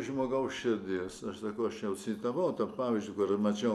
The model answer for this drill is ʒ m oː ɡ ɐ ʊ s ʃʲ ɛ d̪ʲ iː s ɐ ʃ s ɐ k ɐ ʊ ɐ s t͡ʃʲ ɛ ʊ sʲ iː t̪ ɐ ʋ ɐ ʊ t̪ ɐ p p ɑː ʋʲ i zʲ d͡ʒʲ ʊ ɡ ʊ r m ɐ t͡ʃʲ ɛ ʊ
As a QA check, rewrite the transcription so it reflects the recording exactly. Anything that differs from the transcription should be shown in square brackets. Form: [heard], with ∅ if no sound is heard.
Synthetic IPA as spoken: ʒ m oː ɡ ɐ ʊ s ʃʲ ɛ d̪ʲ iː s ɐ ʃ s ɐ k ɐ ʊ ɐ [ʃ] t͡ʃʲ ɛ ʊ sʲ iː t̪ ɐ ʋ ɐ ʊ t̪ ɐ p p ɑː ʋʲ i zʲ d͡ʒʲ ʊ [k] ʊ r m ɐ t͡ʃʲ ɛ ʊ